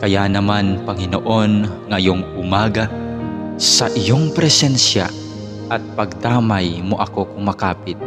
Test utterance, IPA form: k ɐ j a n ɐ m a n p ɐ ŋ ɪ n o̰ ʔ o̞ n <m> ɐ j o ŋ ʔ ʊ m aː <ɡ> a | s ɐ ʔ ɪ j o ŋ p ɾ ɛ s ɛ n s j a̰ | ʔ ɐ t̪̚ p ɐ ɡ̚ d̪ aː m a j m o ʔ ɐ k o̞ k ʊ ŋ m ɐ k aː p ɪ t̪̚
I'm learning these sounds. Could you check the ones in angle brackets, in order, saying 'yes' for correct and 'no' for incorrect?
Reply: no, yes

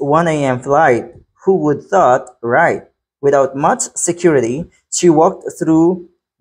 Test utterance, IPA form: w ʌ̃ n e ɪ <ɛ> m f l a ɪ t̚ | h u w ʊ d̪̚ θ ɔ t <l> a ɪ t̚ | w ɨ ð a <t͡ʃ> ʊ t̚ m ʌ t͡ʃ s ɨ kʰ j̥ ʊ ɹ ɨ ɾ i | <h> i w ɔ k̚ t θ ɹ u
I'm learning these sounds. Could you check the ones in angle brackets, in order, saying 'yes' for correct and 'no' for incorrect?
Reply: no, no, no, no

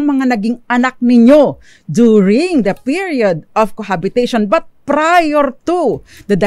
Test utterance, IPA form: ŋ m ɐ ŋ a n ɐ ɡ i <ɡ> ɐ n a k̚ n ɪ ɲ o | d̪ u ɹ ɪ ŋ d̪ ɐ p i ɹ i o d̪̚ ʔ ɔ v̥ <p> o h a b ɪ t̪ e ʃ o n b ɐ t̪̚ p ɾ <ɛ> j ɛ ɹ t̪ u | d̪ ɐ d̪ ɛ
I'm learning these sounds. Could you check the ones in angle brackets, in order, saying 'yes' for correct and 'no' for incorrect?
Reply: no, no, no

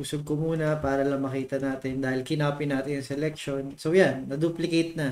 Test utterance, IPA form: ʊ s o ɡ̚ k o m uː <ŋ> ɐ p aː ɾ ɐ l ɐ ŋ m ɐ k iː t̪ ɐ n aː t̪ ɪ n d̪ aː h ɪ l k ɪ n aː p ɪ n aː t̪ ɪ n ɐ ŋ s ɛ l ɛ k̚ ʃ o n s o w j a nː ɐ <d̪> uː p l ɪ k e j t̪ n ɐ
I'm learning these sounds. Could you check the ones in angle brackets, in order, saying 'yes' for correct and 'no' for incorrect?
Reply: no, yes

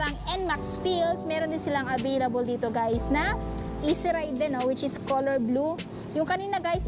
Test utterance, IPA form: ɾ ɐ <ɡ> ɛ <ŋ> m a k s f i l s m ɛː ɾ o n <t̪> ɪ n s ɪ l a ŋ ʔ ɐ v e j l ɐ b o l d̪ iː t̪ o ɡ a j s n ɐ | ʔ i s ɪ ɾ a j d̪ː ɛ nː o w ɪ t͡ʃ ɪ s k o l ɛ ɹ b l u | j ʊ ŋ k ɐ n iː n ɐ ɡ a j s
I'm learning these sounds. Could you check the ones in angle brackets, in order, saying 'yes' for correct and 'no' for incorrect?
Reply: no, no, no

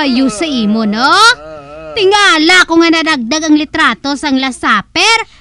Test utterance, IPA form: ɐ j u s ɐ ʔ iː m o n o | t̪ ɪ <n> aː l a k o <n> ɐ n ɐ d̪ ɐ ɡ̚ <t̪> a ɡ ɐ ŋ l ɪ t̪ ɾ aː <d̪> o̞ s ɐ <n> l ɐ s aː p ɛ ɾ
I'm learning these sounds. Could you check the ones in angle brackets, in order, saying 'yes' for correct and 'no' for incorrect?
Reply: no, no, no, no, no

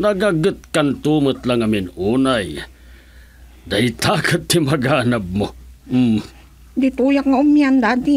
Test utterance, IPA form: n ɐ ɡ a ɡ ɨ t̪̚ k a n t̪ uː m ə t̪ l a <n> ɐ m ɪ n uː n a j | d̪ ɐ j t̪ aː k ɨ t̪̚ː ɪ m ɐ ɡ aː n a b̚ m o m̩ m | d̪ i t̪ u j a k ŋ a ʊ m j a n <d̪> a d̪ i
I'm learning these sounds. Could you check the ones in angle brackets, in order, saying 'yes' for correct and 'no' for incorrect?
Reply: no, yes

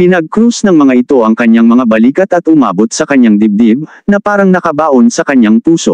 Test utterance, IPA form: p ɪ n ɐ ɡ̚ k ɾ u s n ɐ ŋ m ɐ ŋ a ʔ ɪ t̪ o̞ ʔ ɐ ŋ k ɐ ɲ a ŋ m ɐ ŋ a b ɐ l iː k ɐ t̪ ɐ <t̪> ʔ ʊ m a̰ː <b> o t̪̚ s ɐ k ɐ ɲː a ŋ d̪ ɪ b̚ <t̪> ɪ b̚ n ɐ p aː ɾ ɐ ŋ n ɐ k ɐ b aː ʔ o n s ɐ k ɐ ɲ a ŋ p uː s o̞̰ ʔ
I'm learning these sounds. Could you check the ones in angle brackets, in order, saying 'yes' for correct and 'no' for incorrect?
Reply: yes, yes, no

